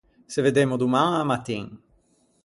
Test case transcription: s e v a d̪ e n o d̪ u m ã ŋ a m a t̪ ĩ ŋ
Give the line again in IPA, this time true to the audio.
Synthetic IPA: s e v e d̪ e m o d̪ u m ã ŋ a m a t̪ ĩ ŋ